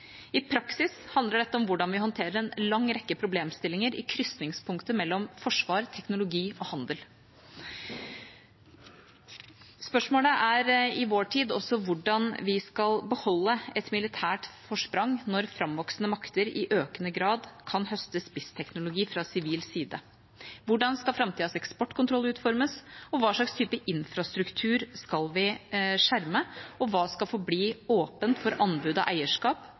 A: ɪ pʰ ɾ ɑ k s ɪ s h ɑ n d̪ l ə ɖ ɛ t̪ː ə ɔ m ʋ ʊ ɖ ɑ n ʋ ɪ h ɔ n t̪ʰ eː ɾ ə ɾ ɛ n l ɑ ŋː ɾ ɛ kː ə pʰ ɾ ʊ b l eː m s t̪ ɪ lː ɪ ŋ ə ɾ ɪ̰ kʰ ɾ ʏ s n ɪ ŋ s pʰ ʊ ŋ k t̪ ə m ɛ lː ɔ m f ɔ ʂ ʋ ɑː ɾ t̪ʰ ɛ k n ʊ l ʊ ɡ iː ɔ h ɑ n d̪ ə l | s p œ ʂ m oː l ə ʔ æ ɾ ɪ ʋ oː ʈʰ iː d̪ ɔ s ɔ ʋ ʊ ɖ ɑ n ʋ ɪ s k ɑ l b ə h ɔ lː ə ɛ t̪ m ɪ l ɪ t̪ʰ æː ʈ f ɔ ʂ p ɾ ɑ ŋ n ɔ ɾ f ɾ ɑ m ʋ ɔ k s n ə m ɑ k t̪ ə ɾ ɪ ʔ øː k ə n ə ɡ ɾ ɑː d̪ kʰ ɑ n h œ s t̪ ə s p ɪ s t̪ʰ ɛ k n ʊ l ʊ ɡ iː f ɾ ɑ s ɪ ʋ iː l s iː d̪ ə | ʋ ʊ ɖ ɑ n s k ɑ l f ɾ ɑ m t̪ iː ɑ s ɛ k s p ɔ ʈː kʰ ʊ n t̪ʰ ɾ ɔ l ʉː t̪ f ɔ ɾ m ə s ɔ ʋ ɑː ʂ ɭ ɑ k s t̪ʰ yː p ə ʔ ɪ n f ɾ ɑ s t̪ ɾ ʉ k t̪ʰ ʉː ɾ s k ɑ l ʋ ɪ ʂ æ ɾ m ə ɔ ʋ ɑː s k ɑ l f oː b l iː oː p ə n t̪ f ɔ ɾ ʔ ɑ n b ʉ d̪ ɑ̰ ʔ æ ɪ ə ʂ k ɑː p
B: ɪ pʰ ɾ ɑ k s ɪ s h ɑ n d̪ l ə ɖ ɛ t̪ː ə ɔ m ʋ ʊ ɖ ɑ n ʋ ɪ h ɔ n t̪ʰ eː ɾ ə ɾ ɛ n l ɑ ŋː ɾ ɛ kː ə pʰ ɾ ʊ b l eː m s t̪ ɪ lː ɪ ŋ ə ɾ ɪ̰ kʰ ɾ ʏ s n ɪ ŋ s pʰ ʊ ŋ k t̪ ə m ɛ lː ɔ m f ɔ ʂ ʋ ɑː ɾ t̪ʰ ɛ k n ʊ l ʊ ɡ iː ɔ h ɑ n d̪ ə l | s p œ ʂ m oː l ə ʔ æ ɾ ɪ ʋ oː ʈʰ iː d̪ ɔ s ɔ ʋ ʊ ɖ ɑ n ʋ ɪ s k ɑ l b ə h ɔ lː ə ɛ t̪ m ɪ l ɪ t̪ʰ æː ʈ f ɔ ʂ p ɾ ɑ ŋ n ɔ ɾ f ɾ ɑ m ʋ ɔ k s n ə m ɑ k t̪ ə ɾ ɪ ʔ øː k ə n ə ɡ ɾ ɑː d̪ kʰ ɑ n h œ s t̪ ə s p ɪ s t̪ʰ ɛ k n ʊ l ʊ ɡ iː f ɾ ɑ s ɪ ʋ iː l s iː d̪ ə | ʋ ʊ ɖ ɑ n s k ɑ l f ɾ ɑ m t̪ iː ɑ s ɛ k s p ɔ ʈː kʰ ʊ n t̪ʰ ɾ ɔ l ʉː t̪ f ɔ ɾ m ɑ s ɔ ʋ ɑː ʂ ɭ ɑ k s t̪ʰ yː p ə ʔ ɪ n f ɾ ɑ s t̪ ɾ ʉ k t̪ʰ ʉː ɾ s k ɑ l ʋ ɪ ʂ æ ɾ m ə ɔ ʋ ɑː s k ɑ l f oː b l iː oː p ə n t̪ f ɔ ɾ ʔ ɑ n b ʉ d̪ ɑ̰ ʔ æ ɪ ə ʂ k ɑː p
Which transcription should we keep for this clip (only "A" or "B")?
A